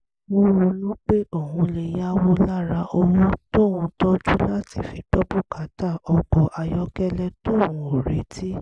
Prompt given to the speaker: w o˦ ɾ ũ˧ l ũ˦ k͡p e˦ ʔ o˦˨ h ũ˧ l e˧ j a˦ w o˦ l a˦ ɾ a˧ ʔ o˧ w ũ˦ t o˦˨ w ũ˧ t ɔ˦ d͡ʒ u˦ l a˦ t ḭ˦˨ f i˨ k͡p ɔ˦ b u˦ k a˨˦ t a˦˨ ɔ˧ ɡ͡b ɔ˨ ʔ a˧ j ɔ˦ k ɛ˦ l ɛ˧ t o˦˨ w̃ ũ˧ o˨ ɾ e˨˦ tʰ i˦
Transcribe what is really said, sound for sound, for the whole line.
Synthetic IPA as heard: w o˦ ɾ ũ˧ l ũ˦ k͡p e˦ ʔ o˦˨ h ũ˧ l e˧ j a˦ w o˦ l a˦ ɾ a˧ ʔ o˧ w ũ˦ t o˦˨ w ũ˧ t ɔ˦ d͡ʒ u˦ l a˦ t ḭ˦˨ f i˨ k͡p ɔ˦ b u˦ k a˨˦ t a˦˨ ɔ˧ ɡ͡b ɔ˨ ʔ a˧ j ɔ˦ k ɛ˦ l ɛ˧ t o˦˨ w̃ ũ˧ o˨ ɾ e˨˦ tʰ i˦